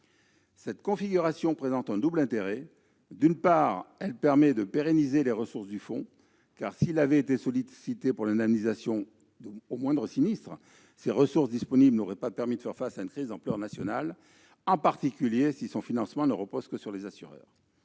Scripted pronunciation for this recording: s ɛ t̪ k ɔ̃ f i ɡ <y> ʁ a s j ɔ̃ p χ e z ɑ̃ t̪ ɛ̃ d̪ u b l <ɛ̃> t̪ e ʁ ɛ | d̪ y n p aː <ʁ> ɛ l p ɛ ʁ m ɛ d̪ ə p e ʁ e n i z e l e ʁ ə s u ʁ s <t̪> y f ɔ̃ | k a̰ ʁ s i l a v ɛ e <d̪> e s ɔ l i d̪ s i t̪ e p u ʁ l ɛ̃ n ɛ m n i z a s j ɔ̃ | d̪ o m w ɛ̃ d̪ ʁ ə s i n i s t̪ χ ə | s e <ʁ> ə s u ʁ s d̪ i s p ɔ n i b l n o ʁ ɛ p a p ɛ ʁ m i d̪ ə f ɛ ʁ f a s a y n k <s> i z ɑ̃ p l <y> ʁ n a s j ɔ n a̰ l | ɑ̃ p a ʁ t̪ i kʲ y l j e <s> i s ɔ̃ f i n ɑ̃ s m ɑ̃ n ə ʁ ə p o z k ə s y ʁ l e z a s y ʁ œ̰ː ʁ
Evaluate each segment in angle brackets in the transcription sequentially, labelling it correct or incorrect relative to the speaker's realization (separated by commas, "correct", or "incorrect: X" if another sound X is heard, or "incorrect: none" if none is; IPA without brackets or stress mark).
correct, correct, correct, incorrect: d̪, incorrect: t̪, correct, incorrect: χ, incorrect: œ, correct